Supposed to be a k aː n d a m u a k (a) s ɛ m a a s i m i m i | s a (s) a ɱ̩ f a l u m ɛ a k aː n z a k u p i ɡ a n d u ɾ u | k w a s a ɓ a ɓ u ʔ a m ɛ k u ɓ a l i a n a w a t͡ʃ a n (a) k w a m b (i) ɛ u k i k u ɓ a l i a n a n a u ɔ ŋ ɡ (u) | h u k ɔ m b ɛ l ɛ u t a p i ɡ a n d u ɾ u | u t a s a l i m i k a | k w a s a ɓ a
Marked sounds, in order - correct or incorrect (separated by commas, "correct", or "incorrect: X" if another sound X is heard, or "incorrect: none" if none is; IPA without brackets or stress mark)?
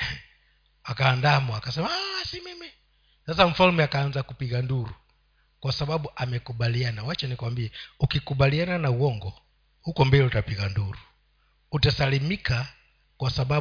correct, correct, incorrect: i, correct, incorrect: ɔ